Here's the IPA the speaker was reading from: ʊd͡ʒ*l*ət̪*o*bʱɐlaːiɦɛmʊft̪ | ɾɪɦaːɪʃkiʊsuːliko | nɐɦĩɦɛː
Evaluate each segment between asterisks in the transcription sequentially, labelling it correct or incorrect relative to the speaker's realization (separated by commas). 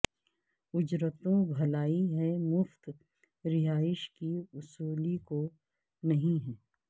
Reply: incorrect, incorrect